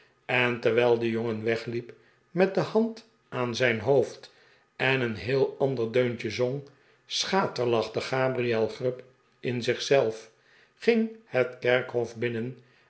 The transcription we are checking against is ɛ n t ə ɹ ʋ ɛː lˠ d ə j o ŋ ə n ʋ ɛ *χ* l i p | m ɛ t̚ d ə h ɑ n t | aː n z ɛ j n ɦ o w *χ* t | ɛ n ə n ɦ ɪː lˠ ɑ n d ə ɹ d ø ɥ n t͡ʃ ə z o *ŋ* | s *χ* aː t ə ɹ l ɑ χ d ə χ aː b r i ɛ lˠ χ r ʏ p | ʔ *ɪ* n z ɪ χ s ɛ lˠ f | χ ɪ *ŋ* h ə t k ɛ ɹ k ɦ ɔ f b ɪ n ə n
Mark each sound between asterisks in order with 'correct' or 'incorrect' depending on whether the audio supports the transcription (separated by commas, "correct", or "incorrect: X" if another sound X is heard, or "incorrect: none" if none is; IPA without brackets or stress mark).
correct, incorrect: f, correct, correct, correct, correct